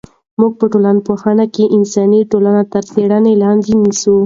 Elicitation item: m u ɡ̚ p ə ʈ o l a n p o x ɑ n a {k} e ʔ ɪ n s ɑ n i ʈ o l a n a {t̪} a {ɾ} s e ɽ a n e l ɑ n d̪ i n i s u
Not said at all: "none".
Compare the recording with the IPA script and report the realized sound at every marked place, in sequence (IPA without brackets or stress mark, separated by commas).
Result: k, t̪, ɾ